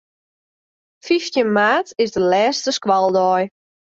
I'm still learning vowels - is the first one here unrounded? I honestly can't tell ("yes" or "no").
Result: yes